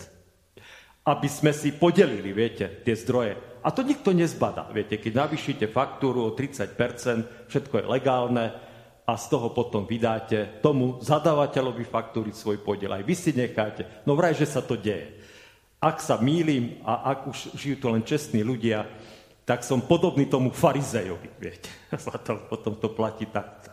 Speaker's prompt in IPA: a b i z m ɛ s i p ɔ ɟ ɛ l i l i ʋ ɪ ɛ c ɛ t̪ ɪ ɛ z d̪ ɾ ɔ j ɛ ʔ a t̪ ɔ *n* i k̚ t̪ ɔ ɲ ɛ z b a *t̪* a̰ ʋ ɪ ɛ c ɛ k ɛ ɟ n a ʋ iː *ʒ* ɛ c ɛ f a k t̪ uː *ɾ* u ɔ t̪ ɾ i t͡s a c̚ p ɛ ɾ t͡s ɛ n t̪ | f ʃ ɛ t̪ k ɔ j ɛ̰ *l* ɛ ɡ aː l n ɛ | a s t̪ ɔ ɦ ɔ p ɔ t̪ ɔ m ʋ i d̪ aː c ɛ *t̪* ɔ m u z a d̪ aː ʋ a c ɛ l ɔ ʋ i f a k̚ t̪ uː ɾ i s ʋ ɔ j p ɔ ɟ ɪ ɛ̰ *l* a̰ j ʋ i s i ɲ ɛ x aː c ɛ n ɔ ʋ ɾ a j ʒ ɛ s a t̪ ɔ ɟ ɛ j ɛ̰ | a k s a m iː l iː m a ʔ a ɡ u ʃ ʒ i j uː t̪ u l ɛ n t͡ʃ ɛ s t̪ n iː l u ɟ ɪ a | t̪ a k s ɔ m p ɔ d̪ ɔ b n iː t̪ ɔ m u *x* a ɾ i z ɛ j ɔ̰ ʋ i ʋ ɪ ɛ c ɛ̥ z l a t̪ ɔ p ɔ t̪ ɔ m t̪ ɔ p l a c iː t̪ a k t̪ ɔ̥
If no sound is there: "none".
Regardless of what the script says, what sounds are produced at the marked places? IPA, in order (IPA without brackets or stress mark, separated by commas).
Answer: ɲ, d̪, ʃ, ɾ, l, t̪, l, f